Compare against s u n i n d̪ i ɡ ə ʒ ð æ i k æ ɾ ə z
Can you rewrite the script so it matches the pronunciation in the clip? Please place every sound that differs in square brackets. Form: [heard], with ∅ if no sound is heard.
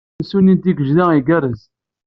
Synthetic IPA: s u n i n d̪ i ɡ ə ʒ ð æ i [ɡ] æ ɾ ə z